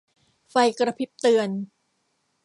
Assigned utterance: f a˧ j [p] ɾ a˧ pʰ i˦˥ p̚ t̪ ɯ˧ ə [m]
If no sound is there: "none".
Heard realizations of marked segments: k, n

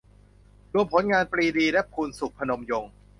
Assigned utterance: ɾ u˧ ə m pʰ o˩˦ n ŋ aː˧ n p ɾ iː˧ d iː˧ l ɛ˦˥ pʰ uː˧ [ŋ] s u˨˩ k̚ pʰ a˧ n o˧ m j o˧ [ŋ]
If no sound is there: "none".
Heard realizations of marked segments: n, ŋ

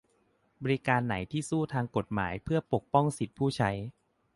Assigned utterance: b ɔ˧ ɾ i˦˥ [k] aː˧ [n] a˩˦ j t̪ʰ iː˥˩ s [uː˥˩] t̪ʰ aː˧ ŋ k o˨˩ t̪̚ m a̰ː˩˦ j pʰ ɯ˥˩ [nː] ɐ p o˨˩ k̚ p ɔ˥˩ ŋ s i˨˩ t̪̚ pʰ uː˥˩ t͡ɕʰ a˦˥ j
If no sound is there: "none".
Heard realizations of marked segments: k, nː, uː˥˩, none

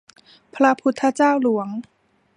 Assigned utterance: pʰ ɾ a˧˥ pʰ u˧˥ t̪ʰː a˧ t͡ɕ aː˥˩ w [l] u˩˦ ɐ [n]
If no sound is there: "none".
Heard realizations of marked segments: l, ŋ

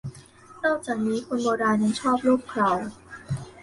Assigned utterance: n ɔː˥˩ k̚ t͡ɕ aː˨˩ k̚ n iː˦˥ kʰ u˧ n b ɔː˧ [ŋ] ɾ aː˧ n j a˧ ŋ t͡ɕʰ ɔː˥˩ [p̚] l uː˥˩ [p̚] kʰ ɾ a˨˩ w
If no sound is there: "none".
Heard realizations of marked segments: none, p̚, p̚

